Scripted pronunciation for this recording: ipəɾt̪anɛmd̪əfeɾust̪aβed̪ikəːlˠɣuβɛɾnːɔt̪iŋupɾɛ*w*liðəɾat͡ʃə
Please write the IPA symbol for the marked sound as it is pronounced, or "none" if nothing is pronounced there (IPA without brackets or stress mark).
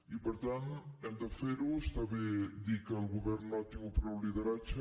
w